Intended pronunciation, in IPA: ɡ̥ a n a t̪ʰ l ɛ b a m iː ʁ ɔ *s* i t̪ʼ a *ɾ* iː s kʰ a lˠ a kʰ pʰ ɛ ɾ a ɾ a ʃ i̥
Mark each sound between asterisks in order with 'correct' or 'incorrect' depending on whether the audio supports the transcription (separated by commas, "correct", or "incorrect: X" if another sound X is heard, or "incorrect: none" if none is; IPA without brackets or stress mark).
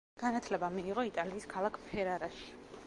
incorrect: none, incorrect: l